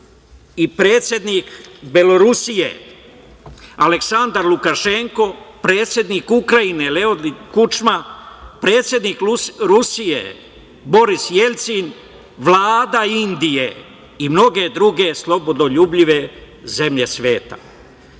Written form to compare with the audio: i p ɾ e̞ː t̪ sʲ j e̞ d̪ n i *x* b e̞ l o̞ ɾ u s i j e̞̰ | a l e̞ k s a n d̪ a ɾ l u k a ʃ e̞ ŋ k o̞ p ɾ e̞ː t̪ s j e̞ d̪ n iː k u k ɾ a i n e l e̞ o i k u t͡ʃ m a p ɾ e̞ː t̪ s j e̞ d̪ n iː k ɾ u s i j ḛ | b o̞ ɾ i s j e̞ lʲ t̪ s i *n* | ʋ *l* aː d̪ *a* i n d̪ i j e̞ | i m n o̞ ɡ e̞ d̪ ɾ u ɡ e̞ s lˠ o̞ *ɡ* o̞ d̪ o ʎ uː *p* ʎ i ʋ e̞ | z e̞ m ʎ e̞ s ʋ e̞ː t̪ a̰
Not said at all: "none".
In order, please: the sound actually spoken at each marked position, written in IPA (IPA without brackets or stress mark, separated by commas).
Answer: k, n, l, a, b, b